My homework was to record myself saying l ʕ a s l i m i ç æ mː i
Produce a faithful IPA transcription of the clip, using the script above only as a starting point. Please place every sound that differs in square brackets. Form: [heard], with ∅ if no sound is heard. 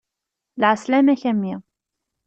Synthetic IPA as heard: l ʕ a s l [æ] m [æ] ç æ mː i

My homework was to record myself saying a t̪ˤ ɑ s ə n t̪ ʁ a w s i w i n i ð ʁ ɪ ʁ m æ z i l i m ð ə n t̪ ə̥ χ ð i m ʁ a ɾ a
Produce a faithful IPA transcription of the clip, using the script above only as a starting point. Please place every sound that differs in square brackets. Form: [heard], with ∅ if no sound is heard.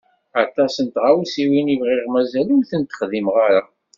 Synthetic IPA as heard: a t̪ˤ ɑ s ə n t̪ ʁ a w s i w i n i [v] ʁ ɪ ʁ m æ z [æ] l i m [θ] ə n t̪ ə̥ χ ð i m ʁ a ɾ a

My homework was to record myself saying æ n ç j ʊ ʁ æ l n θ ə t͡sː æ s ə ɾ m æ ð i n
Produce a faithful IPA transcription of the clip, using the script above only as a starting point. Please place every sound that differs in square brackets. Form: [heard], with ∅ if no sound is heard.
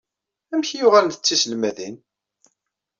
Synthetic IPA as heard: æ [m] ç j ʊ ʁ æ l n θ ə t͡sː [i] s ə [l] m æ ð i n

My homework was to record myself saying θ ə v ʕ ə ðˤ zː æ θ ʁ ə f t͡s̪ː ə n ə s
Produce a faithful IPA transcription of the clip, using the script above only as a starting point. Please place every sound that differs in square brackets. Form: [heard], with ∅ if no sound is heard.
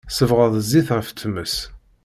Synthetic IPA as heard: [s] ə v [ʁ] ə ðˤ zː [i] θ ʁ ə f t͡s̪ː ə [m] ə s

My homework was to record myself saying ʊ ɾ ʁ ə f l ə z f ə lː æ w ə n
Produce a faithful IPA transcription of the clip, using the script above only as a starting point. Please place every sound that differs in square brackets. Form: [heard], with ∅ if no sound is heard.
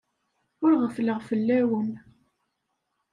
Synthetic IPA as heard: ʊ ɾ ʁ ə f l ə [ʁ] f ə lː æ w ə n

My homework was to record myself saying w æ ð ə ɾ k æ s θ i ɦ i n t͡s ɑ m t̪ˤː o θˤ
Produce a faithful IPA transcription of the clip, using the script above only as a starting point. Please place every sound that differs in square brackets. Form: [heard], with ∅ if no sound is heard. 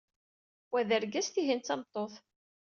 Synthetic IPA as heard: w æ ð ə ɾ [ɡ] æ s θ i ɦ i n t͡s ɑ m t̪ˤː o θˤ

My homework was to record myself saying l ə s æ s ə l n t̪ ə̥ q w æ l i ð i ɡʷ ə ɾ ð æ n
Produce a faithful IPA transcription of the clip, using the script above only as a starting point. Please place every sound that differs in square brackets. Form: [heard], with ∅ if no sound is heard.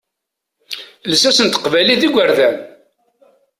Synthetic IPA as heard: l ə s æ s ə [∅] n t̪ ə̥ q [v] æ l i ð i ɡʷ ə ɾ ð æ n

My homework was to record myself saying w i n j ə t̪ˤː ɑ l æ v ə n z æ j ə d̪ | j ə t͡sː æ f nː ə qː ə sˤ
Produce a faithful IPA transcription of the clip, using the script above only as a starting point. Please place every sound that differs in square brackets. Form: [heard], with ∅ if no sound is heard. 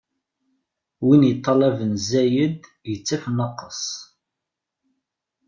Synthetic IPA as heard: w i n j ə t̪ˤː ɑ l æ v ə n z æ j ə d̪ | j ə t͡sː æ f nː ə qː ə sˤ

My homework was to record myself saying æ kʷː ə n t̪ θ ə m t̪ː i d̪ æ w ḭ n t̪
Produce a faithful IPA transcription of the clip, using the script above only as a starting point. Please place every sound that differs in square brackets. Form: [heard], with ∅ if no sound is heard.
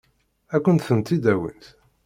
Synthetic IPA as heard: æ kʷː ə n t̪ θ ə [n] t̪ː i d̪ æ w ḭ n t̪

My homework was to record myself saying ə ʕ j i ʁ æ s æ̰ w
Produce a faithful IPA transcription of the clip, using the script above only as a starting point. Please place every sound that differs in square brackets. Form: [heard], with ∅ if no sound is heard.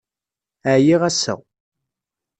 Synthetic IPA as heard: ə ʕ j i ʁ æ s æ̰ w

